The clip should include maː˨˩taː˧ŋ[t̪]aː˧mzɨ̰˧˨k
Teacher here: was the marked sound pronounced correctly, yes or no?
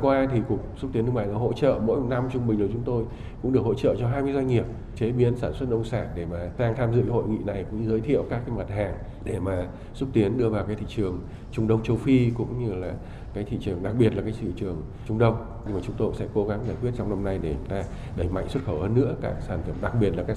no